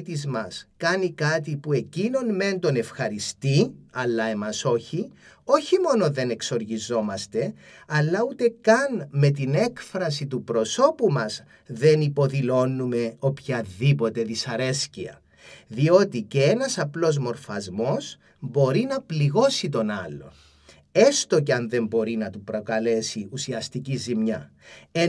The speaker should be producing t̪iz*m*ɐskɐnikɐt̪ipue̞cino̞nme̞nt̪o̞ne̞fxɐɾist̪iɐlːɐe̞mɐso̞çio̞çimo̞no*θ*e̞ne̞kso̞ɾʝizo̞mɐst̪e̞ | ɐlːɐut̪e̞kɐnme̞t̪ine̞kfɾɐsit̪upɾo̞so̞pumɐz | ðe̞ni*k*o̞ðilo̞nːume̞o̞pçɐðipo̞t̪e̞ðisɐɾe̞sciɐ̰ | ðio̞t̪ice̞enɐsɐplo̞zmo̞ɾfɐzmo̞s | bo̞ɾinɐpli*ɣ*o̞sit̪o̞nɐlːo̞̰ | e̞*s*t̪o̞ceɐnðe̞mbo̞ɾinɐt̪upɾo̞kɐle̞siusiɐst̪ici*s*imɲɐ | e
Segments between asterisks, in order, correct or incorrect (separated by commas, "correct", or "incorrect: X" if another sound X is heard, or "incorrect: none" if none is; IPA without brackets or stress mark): correct, incorrect: ð, incorrect: p, correct, correct, incorrect: z